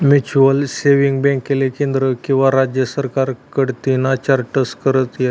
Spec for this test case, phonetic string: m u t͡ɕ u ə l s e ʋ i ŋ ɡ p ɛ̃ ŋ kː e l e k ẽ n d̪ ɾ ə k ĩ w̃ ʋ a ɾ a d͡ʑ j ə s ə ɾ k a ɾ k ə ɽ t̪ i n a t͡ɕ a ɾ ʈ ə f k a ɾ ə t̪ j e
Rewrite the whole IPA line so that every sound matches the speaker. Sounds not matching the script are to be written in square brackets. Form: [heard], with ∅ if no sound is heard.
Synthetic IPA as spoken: m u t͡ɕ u ə l s e ʋ i ŋ ɡ [b] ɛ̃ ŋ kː e l e k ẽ n d̪ ɾ ə k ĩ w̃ ʋ a ɾ a d͡ʑ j ə s ə ɾ k a ɾ k ə ɽ t̪ i n a t͡ɕ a ɾ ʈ ə [s] k [ə] ɾ ə t̪ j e